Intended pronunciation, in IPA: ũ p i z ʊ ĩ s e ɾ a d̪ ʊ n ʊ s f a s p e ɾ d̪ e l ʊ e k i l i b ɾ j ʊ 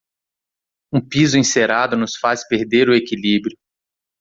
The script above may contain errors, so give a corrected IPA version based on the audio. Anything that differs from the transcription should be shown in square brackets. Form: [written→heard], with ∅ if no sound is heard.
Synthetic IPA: ũ p i z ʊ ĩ s e ɾ a d̪ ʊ n ʊ s f a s p e ɾ d̪ e [l→ɾ] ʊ e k i l i b ɾ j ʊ